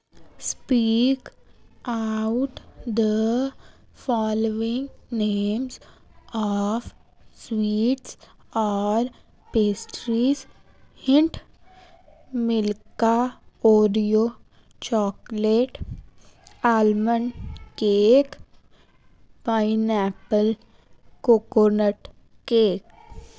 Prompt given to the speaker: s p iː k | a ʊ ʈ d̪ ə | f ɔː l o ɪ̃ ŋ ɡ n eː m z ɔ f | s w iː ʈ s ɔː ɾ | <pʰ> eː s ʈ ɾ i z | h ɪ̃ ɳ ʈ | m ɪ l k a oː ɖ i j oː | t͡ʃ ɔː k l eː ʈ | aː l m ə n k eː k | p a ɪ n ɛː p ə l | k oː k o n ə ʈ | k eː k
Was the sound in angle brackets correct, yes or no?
no